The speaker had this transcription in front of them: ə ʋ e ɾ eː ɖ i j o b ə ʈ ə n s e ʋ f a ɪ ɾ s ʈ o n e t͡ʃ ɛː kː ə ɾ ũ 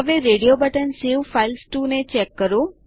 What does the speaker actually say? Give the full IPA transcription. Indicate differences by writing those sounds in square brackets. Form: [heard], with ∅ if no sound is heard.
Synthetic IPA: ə ʋ e ɾ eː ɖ i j o b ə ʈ ə n s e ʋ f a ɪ [l] s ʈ [u] n e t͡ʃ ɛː kː ə ɾ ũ